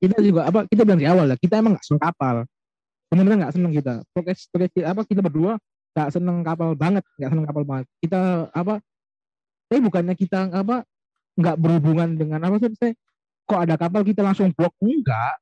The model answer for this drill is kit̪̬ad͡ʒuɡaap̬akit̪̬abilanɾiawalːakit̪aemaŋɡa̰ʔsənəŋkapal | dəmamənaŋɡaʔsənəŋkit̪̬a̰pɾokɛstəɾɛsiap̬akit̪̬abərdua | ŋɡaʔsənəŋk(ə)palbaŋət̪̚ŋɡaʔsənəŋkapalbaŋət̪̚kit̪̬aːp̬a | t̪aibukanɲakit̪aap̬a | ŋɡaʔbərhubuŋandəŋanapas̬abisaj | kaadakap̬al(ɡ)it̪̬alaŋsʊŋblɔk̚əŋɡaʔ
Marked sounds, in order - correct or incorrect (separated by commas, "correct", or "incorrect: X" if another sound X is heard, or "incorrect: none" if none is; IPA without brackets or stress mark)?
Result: incorrect: a, incorrect: k